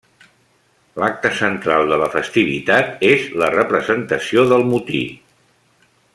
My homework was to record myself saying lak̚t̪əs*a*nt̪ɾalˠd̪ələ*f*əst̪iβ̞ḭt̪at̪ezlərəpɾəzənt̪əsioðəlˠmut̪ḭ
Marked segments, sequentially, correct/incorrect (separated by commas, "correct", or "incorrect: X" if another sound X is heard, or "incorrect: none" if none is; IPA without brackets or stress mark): incorrect: ə, correct